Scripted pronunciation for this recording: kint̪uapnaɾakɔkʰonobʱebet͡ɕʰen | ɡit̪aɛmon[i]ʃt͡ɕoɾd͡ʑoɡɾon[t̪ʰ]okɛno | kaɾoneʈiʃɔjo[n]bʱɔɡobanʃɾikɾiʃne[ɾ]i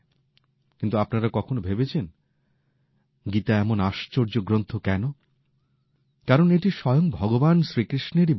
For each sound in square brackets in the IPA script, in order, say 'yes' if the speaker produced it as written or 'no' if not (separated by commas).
no, yes, no, yes